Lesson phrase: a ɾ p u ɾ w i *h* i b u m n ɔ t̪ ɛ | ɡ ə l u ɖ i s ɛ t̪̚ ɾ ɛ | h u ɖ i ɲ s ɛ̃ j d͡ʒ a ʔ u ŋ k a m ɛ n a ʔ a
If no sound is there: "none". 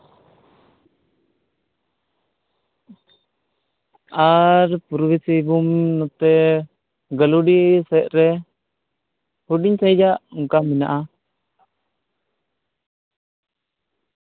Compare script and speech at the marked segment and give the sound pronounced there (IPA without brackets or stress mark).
s